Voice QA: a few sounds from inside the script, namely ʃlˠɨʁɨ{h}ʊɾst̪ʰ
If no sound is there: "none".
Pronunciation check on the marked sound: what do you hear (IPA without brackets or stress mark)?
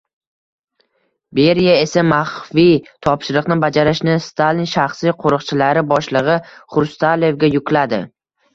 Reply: χ